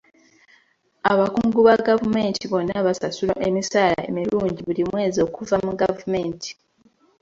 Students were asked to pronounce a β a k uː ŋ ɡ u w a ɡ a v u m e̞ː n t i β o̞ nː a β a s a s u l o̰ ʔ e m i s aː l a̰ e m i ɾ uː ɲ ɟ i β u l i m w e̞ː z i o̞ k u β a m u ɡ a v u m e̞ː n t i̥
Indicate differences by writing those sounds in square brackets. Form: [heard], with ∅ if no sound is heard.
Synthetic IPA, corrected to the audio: a β a k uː ŋ ɡ u [β] a ɡ a v u m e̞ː n t i β o̞ nː a β a s a s u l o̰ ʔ e m i s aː l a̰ e m i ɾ uː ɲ ɟ i β u l i m w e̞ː z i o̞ k u [v] a m u ɡ a v u m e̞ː n t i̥

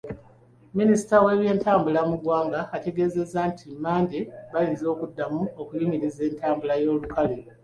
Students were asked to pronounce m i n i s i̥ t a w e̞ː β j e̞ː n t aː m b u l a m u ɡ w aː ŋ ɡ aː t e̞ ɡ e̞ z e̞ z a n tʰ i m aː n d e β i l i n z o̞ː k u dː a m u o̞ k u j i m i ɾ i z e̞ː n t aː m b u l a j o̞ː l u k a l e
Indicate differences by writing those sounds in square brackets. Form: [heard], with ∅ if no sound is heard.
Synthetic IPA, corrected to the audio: m i n i s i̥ t a w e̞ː β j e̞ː n t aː m b u l a m u ɡ w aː ŋ ɡ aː t e̞ ɡ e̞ z e̞ z a n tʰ i m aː n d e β [a] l i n z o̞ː k u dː a m u o̞ k u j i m i ɾ i z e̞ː n t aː m b u l a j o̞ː l u k a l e

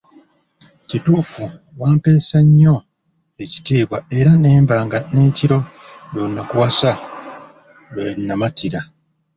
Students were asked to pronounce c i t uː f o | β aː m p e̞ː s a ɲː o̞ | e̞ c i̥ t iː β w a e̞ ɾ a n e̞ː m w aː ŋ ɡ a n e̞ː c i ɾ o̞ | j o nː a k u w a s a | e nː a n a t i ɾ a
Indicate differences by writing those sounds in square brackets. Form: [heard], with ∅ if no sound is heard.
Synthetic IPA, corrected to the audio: c i t uː f [u] | [w] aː m p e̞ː s a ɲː o̞ | e̞ c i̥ t iː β w a e̞ ɾ a n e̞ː m [b] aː ŋ ɡ a n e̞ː c i ɾ o̞ | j o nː a k u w a s a | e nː a [m] a t i ɾ a

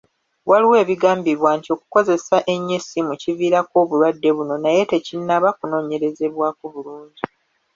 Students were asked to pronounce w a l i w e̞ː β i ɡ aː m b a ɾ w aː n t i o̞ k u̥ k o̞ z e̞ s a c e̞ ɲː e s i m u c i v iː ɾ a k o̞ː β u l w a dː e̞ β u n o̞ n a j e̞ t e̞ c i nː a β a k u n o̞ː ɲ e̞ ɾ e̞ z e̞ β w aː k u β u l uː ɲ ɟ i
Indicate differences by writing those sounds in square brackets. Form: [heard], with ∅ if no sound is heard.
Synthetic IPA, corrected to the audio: w a l i w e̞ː β i ɡ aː m b [i] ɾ w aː n t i o̞ k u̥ k o̞ z e̞ s a [ʔ] e̞ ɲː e s i m u c i v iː ɾ a k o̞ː β u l w a dː e̞ β u n o̞ n a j e̞ t e̞ c i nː a β a k u n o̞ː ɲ e̞ ɾ e̞ z e̞ β w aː k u β u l uː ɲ ɟ i

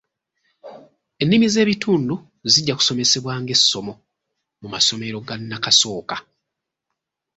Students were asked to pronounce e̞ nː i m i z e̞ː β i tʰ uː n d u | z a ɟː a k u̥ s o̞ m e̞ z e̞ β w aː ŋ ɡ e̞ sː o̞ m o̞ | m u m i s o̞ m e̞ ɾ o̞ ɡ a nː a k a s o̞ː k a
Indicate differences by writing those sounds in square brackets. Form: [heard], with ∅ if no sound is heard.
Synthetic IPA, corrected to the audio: e̞ nː i m i z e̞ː β i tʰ uː n d u | z [i] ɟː a k u̥ s o̞ m e̞ [s] e̞ β w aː ŋ ɡ e̞ sː o̞ m o̞ | m u m [a] s o̞ m e̞ ɾ o̞ ɡ a nː a k a s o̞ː k a

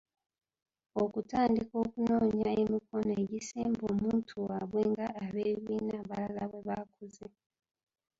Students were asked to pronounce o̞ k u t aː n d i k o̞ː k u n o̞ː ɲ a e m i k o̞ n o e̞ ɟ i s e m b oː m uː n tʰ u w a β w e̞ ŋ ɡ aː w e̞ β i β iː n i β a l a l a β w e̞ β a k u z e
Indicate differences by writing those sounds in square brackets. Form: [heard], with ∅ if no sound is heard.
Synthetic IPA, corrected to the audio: o̞ k u t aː n d i k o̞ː k u n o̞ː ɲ a e m i k o̞ n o e̞ ɟ i s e m b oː m uː n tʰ u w a β w e̞ ŋ ɡ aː [β] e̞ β i β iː n [a] β a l a l a β w e̞ β a k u z e

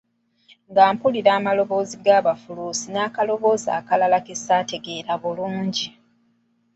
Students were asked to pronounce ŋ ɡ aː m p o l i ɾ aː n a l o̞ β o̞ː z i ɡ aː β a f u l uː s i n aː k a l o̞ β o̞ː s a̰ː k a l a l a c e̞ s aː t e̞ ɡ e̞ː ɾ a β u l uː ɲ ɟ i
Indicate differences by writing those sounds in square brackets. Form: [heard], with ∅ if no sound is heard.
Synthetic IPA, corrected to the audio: ŋ ɡ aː m p [u] l i ɾ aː [m] a l o̞ β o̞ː z i ɡ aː β a f u l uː s i n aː k a l o̞ β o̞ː [z] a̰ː k a l a l a [k] e̞ s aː t e̞ ɡ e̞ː ɾ a β u l uː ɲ ɟ i

